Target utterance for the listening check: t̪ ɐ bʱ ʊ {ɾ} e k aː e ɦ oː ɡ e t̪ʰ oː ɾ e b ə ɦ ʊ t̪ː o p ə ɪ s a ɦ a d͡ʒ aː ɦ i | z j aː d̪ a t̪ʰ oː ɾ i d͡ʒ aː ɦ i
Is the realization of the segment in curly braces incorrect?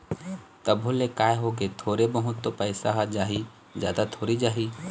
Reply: yes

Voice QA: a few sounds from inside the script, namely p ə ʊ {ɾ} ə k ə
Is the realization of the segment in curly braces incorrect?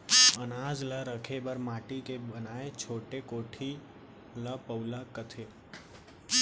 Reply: yes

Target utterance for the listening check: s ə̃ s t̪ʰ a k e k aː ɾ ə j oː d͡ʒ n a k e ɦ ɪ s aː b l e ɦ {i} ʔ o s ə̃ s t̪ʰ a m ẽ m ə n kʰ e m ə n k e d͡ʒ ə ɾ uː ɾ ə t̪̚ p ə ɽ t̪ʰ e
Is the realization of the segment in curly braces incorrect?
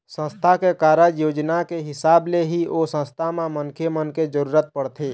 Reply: no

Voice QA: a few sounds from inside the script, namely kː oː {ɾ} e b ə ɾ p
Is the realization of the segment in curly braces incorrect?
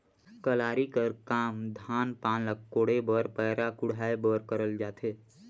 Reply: yes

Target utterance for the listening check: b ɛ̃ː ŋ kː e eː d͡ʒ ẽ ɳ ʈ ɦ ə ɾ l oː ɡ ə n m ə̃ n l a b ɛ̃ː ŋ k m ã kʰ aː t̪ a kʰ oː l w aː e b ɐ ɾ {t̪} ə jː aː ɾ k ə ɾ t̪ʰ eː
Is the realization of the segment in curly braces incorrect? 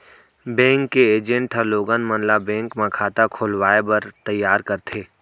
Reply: no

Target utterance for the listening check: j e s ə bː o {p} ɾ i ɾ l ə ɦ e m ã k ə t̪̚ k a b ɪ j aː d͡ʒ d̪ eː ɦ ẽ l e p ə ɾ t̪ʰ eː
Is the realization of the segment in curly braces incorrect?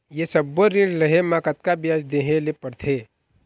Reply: yes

